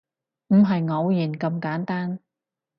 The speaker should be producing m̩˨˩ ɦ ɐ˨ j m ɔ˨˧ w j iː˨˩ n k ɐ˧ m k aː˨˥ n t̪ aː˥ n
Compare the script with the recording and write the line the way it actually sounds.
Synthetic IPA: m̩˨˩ ɦ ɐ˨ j ŋ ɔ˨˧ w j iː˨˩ n k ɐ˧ m k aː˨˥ n t̪ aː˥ n